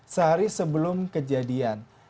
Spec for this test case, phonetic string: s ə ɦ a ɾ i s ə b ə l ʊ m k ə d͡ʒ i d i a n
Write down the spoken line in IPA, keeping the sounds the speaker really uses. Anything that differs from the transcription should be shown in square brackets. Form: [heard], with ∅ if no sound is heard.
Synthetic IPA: s ə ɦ a ɾ i s ə b ə l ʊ m k ə d͡ʒ [a] d i a n